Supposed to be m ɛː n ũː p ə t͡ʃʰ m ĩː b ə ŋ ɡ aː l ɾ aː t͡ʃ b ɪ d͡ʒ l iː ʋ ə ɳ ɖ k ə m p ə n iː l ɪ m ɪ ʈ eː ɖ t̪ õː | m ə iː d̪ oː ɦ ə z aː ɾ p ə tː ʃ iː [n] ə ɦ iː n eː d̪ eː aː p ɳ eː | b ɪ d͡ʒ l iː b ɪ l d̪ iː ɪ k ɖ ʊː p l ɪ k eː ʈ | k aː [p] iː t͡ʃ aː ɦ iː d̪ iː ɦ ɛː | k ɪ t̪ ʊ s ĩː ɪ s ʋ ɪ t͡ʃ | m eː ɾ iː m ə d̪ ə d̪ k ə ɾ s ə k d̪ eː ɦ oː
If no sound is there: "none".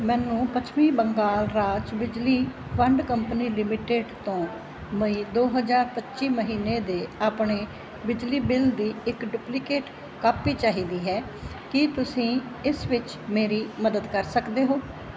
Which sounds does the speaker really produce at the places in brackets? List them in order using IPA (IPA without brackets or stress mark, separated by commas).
m, p